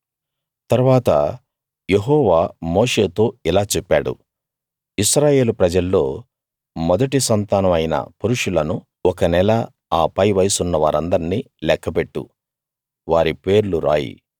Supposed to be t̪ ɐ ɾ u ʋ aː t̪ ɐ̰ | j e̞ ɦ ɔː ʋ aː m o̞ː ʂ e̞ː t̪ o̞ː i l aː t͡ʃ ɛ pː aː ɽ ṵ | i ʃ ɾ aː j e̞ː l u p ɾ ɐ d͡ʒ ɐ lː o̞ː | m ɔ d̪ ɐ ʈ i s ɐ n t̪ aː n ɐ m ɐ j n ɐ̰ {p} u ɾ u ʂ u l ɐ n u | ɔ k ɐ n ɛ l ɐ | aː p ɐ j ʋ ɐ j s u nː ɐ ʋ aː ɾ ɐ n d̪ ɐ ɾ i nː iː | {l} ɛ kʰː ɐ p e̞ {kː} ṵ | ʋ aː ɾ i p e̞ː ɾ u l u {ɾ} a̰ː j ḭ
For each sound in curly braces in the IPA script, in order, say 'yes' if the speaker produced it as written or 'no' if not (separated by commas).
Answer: yes, yes, no, yes